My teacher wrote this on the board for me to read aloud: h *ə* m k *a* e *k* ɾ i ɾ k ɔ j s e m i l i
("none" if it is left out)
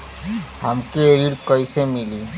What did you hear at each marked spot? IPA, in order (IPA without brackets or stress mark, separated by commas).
a, e, none